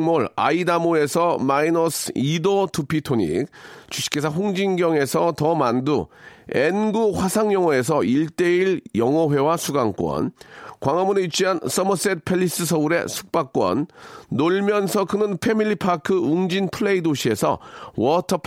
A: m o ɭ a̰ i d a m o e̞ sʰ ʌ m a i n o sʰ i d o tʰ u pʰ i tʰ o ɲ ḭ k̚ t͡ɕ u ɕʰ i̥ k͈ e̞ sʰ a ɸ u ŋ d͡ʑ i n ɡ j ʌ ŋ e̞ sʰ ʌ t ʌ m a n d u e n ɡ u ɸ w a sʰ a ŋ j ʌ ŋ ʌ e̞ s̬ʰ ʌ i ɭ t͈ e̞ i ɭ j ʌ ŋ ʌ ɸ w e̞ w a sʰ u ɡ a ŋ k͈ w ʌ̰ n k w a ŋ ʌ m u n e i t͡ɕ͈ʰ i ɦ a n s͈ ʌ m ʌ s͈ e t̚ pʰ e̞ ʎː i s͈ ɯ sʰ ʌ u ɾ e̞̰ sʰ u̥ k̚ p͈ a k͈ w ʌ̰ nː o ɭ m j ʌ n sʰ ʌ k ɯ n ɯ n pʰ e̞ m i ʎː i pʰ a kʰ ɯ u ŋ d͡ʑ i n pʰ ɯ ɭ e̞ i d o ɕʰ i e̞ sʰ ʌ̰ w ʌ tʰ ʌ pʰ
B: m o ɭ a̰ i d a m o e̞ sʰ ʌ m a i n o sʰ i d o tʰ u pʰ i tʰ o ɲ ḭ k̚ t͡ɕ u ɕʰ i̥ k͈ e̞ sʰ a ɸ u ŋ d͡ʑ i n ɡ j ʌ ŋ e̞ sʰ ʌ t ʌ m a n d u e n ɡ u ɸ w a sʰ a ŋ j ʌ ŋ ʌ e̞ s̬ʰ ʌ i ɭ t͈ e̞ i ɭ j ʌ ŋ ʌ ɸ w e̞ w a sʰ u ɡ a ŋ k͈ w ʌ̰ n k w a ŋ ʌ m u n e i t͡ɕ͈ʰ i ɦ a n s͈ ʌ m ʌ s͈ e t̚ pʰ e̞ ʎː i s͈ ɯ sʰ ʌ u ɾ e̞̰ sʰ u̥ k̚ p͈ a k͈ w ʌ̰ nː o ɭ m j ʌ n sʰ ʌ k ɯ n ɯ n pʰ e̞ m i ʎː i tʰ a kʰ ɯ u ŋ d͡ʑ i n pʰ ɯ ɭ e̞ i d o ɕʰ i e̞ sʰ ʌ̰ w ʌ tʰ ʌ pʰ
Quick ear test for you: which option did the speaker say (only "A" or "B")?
A